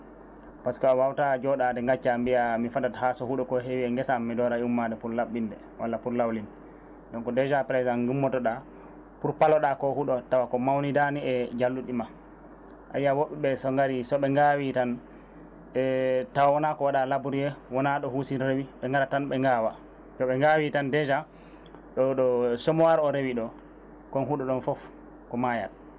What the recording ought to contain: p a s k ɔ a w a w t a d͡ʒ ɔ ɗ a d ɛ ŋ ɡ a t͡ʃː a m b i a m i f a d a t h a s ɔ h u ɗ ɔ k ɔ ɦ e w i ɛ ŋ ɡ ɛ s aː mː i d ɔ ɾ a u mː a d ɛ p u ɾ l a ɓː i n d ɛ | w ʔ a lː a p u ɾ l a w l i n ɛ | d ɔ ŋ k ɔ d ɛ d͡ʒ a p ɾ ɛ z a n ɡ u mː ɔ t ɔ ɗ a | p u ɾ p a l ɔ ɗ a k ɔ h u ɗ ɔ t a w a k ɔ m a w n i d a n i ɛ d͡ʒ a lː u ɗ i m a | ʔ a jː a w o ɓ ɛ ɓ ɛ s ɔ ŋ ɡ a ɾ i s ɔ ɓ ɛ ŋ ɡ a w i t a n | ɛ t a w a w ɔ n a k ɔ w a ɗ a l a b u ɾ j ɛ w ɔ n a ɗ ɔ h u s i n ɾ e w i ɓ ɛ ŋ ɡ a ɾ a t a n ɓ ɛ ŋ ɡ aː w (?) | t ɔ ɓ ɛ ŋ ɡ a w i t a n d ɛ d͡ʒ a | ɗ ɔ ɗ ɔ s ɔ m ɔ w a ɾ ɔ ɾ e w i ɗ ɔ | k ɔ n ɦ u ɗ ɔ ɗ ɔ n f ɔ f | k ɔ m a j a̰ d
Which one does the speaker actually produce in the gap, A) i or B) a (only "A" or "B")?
B